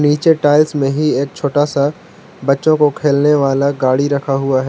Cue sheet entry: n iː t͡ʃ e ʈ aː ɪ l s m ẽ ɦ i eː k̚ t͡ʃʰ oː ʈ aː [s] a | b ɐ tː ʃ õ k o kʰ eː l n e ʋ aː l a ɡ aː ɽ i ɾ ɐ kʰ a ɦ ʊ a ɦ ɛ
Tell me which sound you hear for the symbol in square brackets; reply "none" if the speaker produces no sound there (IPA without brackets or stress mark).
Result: s